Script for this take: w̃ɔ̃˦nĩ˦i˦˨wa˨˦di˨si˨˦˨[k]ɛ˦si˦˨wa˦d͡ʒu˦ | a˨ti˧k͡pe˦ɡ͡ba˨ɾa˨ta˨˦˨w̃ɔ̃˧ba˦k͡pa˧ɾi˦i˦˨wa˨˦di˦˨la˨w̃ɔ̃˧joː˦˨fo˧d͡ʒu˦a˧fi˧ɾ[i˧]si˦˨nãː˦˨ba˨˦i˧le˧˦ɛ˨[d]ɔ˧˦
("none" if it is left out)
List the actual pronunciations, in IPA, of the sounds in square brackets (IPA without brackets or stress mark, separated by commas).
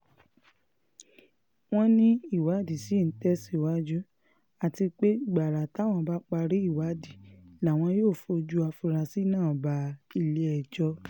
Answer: t, a˧, d͡ʒ